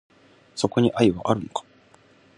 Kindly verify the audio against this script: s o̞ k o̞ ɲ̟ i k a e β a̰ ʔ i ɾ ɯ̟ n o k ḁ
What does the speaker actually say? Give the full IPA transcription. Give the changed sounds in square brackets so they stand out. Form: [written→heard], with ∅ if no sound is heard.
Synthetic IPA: s o̞ k o̞ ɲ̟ i [k→ʔ] a [e→i] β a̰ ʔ [i→a] ɾ ɯ̟ n o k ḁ